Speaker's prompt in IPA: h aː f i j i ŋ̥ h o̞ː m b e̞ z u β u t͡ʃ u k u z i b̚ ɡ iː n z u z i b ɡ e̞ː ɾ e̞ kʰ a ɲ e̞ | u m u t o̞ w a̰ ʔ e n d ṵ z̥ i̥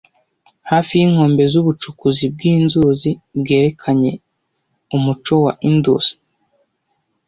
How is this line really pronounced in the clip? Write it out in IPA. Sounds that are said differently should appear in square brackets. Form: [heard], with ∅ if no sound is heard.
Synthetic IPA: h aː f i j i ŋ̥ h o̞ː m b e̞ z u β u t͡ʃ u k u z i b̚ ɡ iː n z u z i b ɡ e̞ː ɾ e̞ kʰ a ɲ e̞ | u m u [t͡ʃ] o̞ w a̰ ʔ [i] n d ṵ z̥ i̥